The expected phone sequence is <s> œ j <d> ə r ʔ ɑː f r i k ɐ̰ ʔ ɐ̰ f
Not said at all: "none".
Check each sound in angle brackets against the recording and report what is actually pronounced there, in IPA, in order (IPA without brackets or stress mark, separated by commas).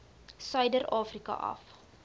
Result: s, d